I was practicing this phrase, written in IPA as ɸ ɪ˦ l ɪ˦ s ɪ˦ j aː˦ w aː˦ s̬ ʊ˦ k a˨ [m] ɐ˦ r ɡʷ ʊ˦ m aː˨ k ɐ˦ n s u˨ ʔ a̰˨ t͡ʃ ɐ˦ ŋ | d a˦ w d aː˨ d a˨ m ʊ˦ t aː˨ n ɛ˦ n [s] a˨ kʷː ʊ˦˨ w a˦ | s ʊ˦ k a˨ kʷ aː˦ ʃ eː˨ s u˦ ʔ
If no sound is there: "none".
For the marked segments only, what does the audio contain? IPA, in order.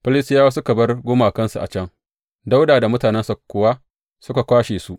b, s

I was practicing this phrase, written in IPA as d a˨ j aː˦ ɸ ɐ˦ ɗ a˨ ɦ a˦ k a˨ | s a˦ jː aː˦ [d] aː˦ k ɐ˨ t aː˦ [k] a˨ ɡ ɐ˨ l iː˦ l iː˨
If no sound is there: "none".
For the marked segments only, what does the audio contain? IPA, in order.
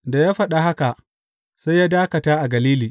d, ʔ

